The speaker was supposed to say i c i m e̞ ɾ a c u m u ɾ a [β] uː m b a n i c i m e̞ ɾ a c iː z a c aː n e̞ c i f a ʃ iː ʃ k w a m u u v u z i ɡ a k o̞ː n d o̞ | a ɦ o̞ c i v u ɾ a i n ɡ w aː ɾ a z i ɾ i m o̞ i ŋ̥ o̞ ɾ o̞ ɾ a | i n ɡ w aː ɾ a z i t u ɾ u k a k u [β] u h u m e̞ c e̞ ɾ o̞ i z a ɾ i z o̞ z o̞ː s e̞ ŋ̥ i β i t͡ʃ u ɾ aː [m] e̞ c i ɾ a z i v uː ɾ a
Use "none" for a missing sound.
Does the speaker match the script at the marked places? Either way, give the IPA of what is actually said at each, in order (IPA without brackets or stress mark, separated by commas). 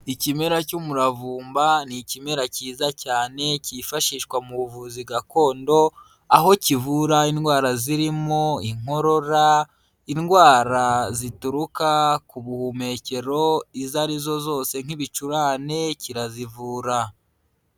v, β, n